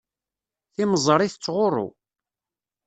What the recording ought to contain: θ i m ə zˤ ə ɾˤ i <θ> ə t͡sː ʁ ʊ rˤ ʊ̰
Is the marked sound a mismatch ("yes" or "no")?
no